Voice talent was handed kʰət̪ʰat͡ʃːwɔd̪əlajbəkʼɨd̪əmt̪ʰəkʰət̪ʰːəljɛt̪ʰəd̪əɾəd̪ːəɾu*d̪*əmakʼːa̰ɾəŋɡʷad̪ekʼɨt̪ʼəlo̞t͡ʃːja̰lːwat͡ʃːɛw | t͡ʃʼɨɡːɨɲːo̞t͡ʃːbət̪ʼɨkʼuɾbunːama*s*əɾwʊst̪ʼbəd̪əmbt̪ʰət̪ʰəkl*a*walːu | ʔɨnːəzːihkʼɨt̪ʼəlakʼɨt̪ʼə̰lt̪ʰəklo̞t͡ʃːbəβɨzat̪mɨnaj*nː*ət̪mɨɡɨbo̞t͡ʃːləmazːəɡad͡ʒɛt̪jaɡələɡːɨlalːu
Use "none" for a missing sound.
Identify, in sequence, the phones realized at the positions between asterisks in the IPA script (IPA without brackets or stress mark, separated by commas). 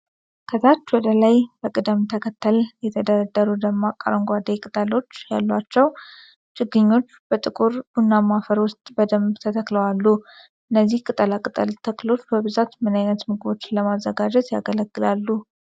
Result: d̪, f, ə, n